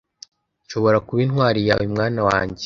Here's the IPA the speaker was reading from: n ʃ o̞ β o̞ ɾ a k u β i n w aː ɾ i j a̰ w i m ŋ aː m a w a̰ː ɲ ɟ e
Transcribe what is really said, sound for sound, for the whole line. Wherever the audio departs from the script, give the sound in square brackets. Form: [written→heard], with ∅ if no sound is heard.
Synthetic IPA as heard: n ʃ o̞ β o̞ ɾ a k u β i n w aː ɾ i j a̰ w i m ŋ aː [m→n] a w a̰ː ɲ ɟ e